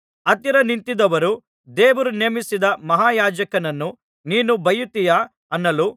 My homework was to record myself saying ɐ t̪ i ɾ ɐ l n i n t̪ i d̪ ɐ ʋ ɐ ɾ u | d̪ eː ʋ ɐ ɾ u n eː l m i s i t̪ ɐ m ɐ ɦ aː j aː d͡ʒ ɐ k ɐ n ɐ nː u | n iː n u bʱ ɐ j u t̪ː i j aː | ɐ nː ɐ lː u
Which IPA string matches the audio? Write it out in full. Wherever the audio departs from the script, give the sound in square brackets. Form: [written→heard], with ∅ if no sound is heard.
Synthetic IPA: ɐ t̪ i ɾ ɐ [l→∅] n i n t̪ i d̪ ɐ ʋ ɐ ɾ u | d̪ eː ʋ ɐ ɾ u n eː [l→∅] m i s i [t̪→d̪] ɐ m ɐ ɦ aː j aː d͡ʒ ɐ k ɐ n ɐ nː u | n iː n u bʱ ɐ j u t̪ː i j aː | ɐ nː ɐ [lː→l] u